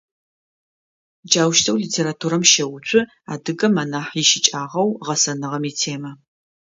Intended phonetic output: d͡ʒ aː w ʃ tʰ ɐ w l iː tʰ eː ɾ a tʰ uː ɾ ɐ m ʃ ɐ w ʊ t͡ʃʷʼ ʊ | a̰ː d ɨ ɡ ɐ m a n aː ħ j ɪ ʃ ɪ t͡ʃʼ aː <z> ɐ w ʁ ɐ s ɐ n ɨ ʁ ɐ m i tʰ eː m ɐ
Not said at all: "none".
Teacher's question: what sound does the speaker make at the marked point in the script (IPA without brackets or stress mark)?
ʁ